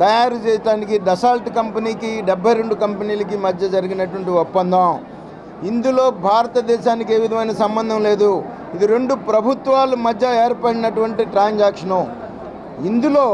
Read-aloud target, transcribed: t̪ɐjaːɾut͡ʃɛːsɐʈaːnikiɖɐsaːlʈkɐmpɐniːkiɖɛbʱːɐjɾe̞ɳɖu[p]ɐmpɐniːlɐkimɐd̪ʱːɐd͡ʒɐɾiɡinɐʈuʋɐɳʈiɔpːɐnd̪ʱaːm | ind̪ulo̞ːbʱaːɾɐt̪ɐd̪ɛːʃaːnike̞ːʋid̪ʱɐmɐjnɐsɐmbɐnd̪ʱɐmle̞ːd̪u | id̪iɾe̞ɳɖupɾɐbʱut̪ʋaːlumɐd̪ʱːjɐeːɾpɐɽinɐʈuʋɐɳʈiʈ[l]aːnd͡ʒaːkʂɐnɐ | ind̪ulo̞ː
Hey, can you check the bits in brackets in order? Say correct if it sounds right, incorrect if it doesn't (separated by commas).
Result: incorrect, incorrect